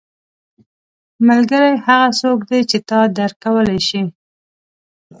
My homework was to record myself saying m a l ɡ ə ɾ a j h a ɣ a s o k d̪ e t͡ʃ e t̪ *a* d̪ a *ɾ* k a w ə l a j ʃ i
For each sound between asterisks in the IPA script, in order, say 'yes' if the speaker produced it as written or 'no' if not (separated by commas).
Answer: no, yes